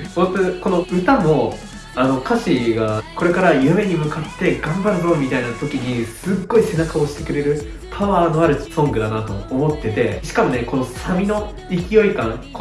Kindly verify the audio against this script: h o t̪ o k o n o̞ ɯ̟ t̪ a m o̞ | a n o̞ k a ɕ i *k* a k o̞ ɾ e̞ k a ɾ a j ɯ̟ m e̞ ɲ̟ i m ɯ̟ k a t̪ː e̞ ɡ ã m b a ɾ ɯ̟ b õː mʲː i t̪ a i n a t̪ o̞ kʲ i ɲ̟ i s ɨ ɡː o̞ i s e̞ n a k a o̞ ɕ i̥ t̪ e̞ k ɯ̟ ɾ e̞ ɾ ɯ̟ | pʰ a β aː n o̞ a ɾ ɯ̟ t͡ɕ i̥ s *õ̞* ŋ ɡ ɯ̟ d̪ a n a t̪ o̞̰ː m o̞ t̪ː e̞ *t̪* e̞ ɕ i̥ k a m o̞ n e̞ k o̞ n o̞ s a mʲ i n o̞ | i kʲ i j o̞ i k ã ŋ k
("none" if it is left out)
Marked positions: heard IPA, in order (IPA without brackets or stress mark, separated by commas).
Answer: ɡ, õ̞, t̪